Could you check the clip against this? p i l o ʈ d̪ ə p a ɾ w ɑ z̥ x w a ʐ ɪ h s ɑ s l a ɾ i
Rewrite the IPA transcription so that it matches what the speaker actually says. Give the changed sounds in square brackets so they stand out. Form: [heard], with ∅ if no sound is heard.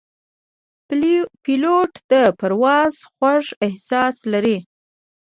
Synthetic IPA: p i l o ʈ d̪ ə p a ɾ w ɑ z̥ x w a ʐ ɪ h s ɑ s l a ɾ i